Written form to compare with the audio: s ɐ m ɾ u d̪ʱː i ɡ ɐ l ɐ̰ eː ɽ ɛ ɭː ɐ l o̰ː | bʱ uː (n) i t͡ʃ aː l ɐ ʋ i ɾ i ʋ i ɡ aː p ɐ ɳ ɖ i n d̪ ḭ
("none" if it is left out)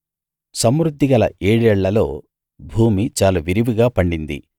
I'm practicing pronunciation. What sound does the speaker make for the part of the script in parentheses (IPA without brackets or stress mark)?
m